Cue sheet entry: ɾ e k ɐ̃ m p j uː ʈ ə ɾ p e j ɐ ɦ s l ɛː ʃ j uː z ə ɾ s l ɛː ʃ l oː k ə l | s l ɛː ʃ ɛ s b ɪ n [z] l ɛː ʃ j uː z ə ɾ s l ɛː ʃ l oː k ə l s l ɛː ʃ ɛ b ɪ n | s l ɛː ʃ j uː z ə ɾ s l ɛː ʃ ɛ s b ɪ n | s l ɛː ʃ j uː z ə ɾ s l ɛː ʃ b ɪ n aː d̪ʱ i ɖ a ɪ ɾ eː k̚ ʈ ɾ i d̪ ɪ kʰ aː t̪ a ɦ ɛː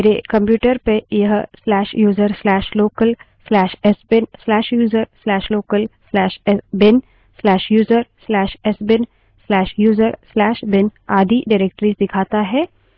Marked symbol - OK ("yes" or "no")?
no